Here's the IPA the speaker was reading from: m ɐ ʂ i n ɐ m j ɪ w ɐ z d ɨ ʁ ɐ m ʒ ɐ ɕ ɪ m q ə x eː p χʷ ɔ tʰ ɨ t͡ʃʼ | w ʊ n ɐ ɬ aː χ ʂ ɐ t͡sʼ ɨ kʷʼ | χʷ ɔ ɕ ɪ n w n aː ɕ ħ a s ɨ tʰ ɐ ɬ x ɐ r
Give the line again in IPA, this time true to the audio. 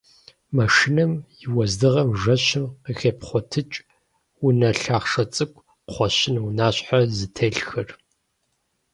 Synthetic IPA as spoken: m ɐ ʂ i n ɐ m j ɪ w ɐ z d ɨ ʁ ɐ m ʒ ɐ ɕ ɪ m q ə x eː p χʷ ɔ tʰ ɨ t͡ʃʼ | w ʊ n ɐ ɬ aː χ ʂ ɐ t͡sʼ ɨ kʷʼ | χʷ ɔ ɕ ɪ n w n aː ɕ ħ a z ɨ tʰ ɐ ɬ x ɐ r